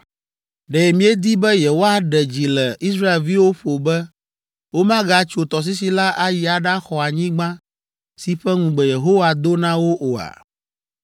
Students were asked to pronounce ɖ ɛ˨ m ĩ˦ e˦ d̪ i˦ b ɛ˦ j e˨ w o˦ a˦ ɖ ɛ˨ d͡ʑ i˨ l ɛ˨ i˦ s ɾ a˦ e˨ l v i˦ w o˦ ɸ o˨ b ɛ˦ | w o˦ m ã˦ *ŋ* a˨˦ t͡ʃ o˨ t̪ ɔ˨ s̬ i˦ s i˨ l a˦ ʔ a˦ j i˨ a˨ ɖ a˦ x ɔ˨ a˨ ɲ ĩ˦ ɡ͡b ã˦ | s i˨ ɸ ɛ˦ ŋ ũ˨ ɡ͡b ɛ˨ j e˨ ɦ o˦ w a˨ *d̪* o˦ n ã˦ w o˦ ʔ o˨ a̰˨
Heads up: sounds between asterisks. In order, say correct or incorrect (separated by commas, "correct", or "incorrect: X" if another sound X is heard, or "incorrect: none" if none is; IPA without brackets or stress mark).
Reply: incorrect: ɡ, correct